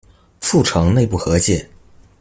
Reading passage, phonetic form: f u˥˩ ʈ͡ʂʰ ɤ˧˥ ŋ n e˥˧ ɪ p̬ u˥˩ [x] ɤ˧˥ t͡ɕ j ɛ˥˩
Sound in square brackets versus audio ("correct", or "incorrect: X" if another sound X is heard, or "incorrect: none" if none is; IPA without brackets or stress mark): correct